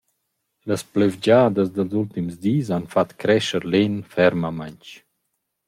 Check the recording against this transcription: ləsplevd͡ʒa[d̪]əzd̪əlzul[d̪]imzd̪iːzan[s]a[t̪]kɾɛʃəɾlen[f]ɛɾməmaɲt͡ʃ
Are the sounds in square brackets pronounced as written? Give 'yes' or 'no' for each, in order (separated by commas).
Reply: yes, no, no, yes, yes